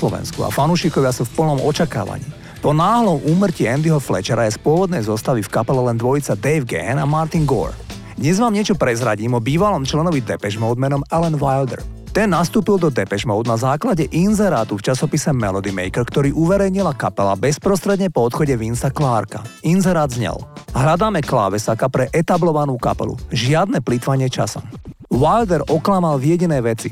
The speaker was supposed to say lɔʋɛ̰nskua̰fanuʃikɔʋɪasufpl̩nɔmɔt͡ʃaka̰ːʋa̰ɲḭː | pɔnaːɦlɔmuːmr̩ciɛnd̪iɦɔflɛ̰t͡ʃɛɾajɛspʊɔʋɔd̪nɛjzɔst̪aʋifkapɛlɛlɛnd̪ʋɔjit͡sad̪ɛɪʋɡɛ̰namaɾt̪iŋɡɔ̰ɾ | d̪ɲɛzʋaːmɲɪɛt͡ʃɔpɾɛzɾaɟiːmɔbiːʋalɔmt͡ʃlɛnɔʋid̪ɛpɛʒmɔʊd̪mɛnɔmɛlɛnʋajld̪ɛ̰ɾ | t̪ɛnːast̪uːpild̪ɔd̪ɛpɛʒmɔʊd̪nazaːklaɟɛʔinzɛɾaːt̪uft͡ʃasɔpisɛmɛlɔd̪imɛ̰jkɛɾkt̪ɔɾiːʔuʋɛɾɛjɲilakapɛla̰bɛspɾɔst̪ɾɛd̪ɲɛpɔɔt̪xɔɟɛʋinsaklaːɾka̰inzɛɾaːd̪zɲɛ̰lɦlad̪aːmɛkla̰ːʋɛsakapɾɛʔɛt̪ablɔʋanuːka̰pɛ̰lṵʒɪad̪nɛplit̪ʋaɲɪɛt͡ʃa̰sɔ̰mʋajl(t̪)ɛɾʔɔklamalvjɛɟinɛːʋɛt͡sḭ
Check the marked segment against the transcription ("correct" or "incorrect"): incorrect